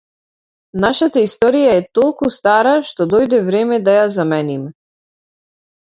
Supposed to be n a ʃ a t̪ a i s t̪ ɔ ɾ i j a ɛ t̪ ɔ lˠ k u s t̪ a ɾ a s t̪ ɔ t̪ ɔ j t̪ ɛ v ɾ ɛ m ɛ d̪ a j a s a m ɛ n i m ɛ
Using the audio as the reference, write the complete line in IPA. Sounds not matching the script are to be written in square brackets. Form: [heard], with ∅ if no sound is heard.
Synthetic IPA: n a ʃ a t̪ a i s t̪ ɔ ɾ i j a ɛ t̪ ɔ lˠ k u s t̪ a ɾ a [ʃ] t̪ ɔ [d̪] ɔ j [d̪] ɛ v ɾ ɛ m ɛ d̪ a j a [z] a m ɛ n i m ɛ